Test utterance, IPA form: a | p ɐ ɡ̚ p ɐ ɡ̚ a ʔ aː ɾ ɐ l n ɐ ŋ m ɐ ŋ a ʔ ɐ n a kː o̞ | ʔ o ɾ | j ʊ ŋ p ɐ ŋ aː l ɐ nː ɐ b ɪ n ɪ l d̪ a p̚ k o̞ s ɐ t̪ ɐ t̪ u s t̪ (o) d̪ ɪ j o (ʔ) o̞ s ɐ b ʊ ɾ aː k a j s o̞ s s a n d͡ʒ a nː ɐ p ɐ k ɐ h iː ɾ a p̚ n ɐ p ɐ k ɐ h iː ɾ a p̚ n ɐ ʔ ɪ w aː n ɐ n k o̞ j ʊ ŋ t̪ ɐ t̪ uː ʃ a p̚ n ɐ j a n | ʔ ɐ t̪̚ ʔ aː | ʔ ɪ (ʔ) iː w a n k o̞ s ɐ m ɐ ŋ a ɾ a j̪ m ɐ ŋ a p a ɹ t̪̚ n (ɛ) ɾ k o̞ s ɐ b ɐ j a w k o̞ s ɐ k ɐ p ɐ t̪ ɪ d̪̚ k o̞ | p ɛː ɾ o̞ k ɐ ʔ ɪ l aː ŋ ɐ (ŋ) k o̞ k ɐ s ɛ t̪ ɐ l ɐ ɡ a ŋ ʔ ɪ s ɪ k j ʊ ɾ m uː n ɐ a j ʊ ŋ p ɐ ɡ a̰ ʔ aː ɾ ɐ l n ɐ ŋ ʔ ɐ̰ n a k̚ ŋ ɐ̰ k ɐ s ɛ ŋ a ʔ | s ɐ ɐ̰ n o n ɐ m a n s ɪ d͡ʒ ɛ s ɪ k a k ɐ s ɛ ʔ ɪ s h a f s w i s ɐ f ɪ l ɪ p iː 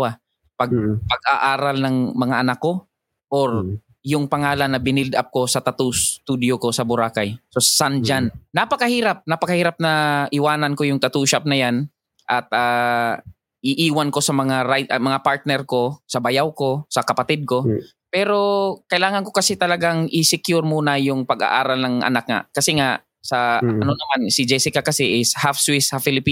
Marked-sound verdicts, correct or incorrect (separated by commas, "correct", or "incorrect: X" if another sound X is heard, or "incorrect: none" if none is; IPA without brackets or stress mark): incorrect: u, incorrect: k, correct, correct, incorrect: n